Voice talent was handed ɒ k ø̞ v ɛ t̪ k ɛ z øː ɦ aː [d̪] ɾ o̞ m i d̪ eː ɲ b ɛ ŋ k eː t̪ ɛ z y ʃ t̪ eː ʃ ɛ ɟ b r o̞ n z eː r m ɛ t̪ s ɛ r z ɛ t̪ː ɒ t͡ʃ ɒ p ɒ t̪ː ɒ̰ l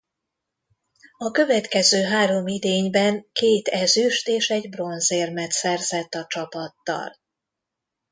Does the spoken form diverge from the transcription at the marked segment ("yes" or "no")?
yes